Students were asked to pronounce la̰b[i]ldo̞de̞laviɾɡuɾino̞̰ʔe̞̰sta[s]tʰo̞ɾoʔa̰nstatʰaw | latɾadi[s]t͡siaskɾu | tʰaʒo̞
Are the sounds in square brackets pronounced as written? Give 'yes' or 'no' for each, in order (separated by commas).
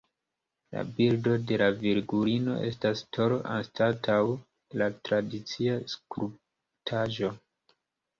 yes, yes, no